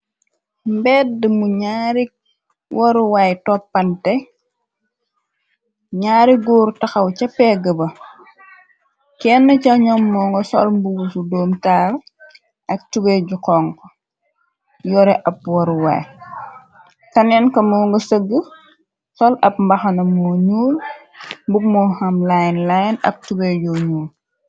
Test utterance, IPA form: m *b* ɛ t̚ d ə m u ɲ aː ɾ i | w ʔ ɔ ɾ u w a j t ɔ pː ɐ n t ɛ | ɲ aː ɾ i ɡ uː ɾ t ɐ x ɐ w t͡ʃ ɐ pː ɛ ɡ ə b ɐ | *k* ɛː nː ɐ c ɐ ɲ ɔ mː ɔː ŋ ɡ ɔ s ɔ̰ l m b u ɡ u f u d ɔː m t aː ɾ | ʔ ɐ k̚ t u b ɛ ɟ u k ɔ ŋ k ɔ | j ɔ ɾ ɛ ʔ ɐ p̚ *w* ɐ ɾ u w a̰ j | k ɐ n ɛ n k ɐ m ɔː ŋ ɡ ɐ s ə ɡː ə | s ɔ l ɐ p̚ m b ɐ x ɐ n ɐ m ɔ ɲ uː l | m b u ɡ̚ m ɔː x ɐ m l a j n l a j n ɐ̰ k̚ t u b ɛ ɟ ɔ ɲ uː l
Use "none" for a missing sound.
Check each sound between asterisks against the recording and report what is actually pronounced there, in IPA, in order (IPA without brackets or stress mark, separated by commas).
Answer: b, k, w